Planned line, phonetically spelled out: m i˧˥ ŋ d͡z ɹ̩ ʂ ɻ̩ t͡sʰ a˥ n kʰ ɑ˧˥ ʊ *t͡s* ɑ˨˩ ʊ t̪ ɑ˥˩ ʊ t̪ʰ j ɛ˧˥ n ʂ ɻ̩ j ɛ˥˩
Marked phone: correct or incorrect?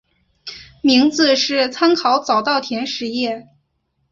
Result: correct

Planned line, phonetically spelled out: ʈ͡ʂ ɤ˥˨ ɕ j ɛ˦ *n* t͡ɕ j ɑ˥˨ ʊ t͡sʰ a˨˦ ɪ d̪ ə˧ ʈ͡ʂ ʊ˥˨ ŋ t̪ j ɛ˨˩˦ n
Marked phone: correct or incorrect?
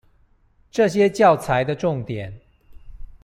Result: incorrect: none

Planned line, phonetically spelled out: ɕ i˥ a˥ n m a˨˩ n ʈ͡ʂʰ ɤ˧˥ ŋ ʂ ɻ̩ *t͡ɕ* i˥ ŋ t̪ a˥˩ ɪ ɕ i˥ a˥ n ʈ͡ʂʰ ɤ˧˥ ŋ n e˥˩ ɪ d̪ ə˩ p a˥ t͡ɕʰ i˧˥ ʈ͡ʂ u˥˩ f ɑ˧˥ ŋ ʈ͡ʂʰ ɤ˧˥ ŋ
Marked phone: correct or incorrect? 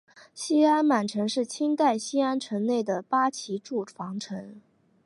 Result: incorrect: t͡ɕʰ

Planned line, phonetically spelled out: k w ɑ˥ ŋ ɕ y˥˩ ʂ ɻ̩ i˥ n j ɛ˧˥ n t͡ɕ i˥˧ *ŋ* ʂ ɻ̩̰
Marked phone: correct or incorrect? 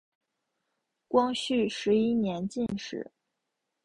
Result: incorrect: n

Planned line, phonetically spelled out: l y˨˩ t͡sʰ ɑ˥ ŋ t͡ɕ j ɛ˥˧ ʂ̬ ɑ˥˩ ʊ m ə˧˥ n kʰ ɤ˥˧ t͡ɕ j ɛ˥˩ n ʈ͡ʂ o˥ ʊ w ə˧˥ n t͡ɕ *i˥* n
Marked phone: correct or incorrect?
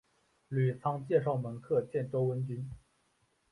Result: incorrect: y˥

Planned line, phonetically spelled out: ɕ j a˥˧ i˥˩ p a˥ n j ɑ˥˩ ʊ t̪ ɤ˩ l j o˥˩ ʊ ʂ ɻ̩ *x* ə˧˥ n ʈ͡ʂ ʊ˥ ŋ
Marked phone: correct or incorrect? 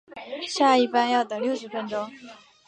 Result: incorrect: f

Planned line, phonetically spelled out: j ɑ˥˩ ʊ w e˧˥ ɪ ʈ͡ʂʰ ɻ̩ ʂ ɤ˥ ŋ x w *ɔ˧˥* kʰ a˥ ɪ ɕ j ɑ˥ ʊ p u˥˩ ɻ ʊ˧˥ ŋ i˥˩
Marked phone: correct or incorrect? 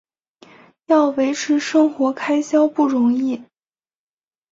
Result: correct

